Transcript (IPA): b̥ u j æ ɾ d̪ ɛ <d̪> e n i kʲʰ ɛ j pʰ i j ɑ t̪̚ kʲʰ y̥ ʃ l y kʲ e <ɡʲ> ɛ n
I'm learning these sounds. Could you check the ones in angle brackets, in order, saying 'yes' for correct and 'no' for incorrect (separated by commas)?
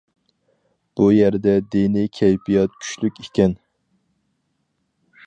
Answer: yes, no